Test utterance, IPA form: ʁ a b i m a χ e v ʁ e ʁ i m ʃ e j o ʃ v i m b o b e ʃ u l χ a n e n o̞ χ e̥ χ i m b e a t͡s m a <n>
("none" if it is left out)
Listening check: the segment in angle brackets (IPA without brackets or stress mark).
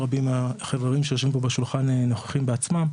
m